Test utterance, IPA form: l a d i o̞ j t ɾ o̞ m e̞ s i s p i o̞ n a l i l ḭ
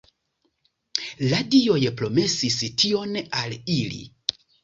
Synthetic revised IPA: l a d i o̞ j p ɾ o̞ m e̞ s i s t i o̞ n a l i l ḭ